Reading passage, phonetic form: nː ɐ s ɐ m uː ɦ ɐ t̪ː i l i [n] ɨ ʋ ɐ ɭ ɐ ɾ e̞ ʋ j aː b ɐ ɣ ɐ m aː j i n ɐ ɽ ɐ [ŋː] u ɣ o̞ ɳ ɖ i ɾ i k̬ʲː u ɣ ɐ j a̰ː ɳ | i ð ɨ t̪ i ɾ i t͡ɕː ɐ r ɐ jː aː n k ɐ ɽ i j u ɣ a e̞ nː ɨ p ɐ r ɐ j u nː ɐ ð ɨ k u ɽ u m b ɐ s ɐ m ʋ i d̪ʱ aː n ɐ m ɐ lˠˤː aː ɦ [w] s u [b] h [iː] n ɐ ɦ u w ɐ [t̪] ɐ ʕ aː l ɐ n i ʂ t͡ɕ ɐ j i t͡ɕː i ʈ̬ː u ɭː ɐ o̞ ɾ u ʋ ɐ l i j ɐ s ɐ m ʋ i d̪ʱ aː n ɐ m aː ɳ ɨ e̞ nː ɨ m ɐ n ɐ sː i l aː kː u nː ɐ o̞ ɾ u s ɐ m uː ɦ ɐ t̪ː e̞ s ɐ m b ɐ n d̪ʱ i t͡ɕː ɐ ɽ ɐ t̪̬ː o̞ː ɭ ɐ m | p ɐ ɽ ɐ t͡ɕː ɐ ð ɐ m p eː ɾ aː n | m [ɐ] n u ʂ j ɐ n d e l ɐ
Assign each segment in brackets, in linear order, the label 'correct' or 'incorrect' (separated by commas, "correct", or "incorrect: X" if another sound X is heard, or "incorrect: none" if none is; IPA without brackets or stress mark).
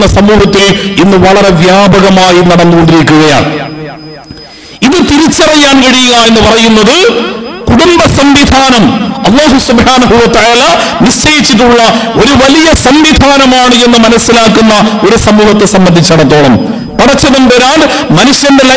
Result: incorrect: nː, incorrect: nː, incorrect: u, correct, incorrect: aː, correct, correct